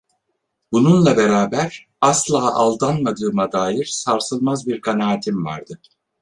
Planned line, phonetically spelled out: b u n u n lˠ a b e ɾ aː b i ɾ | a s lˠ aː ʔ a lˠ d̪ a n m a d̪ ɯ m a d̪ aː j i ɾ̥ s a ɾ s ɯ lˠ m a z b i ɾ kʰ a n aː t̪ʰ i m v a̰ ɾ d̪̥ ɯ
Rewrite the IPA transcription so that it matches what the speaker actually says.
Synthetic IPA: b u n u n lˠ a b e ɾ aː b æ ɾ | a s lˠ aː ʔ a lˠ d̪ a n m a d̪ ɯː m a d̪ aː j i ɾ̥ s a ɾ s ɯ lˠ m a z b i ɾ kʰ a n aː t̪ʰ i m v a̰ ɾ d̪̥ ɯ